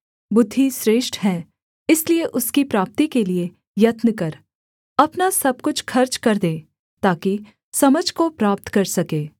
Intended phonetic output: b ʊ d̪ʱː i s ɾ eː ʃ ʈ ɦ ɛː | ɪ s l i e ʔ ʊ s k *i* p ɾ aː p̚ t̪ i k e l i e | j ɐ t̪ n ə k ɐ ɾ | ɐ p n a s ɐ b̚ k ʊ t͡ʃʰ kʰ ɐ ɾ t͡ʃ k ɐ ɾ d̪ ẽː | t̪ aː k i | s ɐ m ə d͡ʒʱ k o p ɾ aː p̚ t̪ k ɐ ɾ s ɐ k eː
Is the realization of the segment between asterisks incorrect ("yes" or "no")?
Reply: no